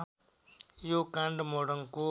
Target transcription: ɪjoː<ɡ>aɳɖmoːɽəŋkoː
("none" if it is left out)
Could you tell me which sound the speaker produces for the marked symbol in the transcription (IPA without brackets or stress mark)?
k